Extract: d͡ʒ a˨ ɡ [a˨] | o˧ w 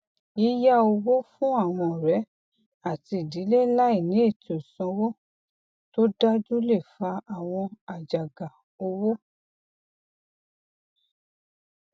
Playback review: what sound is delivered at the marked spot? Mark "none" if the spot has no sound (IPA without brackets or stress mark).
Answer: a˨